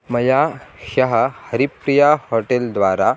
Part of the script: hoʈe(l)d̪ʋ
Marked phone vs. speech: correct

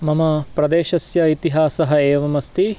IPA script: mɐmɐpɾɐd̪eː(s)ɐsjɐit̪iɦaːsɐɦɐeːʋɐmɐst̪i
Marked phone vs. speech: incorrect: ʃ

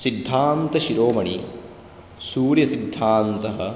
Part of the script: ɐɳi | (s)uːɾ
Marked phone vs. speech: correct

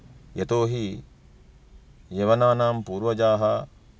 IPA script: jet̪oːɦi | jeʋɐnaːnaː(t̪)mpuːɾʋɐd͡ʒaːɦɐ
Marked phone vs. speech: incorrect: none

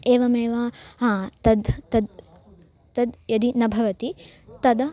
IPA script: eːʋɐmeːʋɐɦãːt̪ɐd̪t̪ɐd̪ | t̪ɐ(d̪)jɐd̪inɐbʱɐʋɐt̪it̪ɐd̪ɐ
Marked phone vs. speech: correct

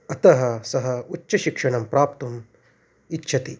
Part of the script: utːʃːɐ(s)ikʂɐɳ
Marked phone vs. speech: incorrect: ʃ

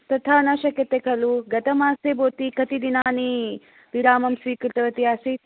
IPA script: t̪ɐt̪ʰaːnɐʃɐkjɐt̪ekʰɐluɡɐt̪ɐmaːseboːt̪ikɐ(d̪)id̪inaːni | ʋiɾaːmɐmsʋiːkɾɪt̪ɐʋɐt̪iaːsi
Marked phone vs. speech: incorrect: t̪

